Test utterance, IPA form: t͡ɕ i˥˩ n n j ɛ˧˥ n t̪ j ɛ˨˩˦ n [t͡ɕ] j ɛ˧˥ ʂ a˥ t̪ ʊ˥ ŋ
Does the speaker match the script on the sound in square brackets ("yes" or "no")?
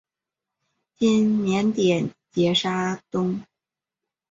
yes